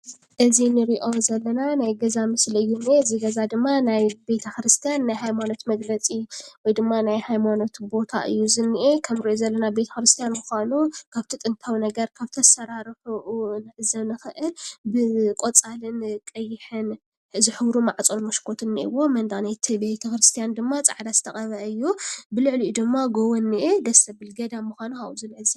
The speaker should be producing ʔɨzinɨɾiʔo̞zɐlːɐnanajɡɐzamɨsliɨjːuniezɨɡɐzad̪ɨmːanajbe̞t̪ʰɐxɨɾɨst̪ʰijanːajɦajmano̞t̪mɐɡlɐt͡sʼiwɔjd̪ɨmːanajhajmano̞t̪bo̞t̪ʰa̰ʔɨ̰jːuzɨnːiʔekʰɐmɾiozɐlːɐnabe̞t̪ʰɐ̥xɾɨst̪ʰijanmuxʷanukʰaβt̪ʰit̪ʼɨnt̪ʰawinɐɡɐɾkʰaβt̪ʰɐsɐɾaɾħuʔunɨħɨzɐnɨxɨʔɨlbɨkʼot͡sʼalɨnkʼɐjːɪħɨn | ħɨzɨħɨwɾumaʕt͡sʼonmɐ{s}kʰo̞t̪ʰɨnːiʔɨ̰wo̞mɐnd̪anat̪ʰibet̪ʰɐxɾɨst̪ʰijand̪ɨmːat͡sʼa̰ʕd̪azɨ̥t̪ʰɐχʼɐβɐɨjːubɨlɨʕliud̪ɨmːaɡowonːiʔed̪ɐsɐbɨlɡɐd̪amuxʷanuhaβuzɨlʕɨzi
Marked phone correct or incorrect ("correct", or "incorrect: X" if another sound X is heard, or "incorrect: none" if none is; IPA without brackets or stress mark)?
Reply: incorrect: ʃ